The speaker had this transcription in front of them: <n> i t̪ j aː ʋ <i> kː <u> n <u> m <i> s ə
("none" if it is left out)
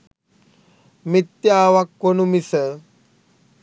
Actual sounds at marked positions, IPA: m, a, o, u, i

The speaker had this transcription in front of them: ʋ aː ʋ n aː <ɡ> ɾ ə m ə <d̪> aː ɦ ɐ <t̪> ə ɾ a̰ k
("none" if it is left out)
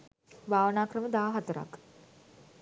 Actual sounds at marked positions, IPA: k, d̪, t̪

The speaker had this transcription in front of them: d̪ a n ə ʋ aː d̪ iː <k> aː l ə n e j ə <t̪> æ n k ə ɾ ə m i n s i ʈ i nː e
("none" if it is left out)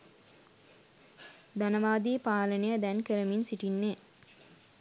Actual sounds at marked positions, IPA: p, d̪

